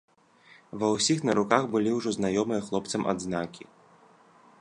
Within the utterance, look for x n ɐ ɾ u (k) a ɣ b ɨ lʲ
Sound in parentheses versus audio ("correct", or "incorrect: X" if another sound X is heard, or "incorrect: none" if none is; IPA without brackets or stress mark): correct